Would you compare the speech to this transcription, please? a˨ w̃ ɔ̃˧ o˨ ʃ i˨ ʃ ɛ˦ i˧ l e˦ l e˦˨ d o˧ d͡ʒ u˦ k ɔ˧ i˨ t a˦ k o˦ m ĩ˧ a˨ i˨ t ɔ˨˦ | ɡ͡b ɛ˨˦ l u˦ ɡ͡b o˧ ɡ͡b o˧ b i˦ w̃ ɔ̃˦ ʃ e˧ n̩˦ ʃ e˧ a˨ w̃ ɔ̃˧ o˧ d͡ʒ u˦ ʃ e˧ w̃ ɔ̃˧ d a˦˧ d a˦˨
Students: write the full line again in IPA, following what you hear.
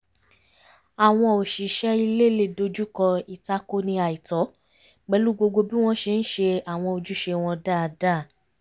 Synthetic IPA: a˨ w̃ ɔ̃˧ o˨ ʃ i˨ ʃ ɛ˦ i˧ l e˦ l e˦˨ d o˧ d͡ʒ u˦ k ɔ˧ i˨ t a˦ k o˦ n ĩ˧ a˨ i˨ t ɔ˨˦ | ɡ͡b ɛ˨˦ l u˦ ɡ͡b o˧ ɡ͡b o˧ b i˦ w̃ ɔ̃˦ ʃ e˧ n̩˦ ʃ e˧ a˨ w̃ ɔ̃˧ o˧ d͡ʒ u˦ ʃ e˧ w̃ ɔ̃˧ d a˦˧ d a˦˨